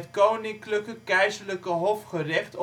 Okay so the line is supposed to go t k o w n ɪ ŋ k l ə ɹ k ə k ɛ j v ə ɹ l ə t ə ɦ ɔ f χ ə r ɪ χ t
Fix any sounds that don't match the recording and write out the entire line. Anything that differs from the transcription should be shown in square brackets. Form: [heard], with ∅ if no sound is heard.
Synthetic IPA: t k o w n ɪ ŋ k l ə [∅] k ə k ɛ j [z] ə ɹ l ə [k] ə ɦ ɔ f χ ə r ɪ χ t